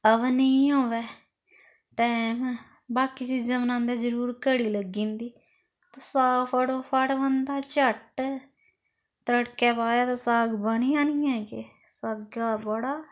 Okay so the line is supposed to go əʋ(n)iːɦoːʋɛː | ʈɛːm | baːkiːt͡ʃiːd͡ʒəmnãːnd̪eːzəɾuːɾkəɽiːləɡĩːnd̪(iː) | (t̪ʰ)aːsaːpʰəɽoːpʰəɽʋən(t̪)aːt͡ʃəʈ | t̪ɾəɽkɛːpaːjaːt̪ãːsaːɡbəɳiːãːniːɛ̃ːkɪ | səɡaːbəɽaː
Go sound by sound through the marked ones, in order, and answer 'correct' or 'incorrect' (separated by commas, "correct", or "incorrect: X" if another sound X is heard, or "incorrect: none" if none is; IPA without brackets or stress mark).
correct, correct, incorrect: t̪, incorrect: d̪